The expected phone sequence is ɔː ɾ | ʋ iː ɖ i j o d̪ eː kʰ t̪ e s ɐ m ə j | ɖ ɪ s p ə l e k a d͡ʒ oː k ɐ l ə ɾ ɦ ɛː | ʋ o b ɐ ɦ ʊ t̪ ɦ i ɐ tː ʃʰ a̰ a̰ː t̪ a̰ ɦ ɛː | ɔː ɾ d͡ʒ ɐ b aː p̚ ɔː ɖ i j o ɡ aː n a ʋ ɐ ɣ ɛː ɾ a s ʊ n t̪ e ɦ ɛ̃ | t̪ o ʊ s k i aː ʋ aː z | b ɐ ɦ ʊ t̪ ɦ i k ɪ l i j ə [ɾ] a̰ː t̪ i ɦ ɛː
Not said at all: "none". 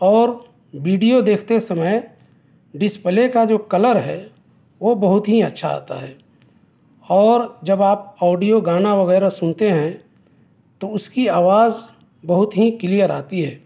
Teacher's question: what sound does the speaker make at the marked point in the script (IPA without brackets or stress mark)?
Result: ɾ